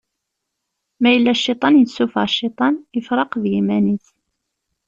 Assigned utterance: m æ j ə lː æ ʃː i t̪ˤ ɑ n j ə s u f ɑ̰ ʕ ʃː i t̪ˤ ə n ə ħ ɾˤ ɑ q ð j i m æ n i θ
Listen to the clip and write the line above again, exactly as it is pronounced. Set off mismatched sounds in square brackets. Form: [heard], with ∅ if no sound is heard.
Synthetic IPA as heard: m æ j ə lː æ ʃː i t̪ˤ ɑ n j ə s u f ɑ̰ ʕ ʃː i t̪ˤ [ɑ] n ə [f] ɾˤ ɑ q ð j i m æ n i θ